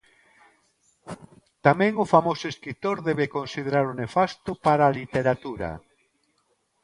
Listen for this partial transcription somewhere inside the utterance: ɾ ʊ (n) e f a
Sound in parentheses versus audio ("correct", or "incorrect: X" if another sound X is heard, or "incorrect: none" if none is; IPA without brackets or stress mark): correct